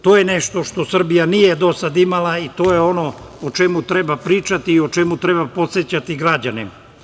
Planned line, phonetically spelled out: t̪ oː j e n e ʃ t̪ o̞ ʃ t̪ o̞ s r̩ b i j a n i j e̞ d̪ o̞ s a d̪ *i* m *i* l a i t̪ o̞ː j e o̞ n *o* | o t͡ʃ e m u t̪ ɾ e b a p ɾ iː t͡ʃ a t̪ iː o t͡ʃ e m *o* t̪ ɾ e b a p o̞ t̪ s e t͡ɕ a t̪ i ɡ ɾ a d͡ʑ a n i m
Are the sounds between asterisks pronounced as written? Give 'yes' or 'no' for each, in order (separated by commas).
yes, no, yes, no